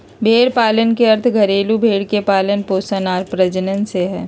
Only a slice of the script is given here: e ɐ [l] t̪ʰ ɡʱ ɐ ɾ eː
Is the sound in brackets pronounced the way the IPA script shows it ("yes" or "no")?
no